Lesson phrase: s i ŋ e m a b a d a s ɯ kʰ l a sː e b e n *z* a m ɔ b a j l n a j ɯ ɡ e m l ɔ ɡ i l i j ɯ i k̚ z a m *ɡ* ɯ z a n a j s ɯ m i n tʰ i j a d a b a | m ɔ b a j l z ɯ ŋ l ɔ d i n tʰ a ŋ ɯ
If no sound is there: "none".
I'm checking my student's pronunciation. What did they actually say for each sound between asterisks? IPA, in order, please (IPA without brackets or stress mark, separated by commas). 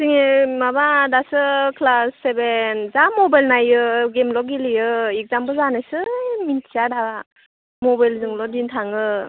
z, b